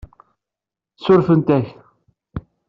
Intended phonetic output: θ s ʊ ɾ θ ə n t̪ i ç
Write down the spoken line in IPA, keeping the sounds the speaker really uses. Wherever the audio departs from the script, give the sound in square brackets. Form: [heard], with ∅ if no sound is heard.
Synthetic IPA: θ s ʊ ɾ [f] ə n t̪ [æ] ç